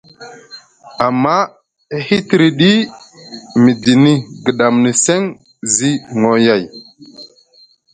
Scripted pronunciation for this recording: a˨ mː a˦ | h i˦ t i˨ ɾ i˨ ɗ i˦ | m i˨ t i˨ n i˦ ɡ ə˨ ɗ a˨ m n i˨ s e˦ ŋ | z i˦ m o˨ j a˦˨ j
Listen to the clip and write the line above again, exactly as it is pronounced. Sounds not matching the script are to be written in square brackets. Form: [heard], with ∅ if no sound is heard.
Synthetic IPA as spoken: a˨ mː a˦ | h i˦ t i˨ ɾ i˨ ɗ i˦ | m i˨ [d] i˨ n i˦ ɡ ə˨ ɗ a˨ m n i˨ s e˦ ŋ | z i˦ [ŋ] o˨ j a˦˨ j